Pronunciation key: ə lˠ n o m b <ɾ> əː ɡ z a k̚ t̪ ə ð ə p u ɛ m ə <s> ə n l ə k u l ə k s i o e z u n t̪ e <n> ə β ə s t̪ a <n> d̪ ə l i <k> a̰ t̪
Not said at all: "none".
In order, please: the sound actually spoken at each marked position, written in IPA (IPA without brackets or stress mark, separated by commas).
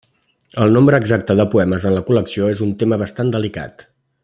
ɾ, z, m, n, k